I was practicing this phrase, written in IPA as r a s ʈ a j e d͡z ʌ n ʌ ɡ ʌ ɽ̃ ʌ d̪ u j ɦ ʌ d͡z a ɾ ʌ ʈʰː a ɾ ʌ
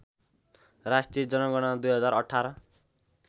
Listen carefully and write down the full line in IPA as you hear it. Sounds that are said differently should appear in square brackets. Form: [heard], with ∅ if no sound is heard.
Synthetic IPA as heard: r a s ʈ [i] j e d͡z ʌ n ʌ ɡ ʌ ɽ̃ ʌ d̪ u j ɦ ʌ d͡z a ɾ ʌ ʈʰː a ɾ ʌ

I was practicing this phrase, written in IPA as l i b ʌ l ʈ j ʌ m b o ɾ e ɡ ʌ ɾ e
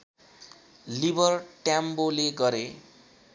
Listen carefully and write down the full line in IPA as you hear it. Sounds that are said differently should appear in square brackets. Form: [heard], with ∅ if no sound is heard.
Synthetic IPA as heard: l i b ʌ [r] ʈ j [a] m b o [l] e ɡ ʌ ɾ e

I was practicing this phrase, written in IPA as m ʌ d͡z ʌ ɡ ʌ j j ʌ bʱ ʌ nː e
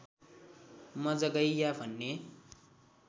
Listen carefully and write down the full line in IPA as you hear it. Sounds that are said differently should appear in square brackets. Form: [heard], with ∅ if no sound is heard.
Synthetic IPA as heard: m ʌ d͡z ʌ ɡ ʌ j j [a] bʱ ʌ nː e

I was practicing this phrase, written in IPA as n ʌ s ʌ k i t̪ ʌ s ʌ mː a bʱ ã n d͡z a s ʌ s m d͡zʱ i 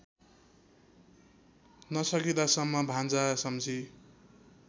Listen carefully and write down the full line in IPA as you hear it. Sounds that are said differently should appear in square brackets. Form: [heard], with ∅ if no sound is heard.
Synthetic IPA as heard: n ʌ s ʌ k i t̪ [a] s ʌ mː [ʌ] bʱ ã n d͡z a s ʌ [∅] m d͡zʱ i

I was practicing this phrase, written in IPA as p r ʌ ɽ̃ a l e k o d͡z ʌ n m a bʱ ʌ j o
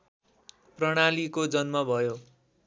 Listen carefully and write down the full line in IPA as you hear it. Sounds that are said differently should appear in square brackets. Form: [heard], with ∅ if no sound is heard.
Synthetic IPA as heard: p r ʌ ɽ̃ a l [i] k o d͡z ʌ n m [ʌ] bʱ ʌ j o

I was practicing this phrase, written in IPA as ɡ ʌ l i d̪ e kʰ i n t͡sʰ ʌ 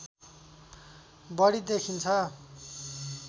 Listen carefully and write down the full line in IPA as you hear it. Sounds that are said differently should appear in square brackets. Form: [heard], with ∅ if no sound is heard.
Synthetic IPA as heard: [b] ʌ [ɽ] i d̪ e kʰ i n t͡sʰ ʌ

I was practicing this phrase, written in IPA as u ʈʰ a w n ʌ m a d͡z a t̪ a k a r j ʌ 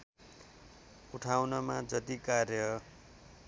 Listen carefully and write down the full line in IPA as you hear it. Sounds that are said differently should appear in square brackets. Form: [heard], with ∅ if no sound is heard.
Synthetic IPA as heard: u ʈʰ a w n ʌ m a d͡z [ʌ] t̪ [i] k a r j ʌ

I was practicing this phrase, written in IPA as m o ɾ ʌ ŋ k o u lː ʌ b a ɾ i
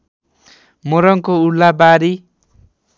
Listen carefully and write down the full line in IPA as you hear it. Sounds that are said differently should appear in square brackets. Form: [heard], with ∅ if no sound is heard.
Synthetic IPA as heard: m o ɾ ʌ ŋ k o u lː [a] b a ɾ i

